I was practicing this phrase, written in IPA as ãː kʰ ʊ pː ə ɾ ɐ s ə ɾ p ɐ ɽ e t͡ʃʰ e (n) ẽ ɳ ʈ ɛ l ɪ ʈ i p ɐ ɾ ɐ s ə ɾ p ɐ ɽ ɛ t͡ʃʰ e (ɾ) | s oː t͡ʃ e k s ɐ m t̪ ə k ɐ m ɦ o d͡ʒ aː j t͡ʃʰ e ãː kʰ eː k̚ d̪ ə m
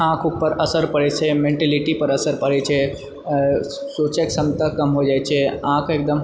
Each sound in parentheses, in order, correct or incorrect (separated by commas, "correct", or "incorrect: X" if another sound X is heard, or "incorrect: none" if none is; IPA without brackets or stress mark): incorrect: m, incorrect: none